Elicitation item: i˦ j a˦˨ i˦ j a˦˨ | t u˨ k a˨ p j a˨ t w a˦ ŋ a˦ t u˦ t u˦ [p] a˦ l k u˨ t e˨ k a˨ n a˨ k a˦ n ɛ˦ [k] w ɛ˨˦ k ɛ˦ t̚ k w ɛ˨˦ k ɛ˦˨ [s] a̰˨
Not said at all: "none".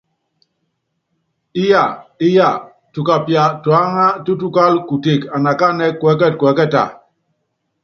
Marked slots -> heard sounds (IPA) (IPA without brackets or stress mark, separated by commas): k, k, t